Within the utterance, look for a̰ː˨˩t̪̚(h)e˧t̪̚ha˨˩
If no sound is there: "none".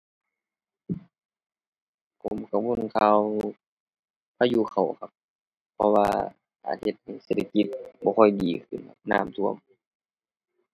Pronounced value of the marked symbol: h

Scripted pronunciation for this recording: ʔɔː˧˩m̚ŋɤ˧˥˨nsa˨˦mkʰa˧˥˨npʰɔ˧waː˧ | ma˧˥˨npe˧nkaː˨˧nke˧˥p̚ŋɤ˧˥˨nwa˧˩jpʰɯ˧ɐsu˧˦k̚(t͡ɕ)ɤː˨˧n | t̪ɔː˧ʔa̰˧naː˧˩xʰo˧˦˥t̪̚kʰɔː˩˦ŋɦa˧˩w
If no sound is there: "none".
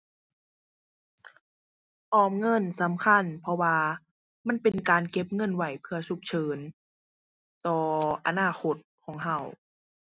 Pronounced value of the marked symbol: t͡ɕʰ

